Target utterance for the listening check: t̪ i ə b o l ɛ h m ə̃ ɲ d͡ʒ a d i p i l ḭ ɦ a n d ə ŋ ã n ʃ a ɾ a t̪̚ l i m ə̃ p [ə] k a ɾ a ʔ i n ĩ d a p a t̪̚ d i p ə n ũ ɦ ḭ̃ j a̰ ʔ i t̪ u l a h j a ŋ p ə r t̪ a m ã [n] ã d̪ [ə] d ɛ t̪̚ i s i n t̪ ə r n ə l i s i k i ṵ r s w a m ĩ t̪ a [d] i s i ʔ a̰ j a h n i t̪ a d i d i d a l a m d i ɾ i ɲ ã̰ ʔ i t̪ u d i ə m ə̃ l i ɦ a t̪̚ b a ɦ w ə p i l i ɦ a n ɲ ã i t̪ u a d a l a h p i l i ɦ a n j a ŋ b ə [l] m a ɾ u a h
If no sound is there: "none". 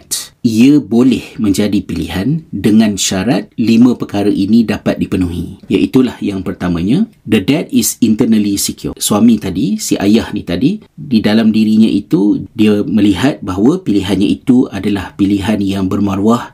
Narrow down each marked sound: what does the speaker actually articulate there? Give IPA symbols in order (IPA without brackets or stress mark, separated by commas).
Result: ə, ɲ, ə, d, r